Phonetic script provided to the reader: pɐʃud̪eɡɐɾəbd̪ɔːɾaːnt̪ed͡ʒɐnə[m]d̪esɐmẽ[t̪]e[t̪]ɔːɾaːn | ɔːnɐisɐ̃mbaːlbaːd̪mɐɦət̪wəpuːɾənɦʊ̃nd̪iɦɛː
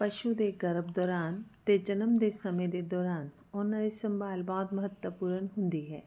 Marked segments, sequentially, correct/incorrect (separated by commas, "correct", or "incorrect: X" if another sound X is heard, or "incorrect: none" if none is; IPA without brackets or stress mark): correct, incorrect: d̪, incorrect: d̪